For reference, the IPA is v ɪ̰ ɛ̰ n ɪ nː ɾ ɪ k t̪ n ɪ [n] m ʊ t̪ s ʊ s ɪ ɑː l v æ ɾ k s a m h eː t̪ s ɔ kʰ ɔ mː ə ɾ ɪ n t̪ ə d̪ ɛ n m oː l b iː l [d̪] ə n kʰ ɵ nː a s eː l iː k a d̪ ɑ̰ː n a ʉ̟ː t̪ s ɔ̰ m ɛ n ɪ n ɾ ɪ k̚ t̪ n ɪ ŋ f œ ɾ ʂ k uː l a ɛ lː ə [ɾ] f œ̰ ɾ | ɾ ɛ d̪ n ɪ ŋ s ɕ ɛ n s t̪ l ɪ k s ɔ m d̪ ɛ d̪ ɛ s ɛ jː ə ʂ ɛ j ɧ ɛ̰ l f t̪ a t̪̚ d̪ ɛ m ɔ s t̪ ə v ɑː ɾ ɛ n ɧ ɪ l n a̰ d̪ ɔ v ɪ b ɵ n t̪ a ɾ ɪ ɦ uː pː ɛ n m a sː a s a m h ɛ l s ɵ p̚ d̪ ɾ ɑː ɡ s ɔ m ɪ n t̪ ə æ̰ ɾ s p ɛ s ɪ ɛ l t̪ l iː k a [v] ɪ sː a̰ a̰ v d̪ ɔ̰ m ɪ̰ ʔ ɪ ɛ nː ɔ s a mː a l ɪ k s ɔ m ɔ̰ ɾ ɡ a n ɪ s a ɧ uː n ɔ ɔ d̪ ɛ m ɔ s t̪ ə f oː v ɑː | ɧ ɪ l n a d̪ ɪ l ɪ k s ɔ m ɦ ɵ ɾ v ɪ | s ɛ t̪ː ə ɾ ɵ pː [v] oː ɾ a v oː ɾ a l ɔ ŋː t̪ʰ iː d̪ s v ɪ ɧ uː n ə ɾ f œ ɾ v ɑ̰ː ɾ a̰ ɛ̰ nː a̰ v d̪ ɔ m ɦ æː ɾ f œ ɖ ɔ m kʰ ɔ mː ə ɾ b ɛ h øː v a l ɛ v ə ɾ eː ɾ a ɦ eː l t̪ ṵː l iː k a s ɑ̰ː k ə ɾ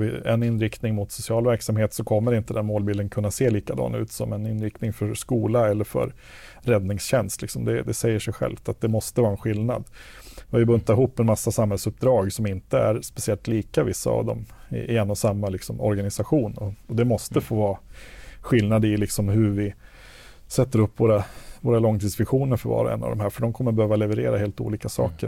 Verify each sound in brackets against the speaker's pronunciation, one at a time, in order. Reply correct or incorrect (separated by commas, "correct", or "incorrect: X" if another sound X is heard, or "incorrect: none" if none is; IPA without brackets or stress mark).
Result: incorrect: ŋ, correct, correct, correct, correct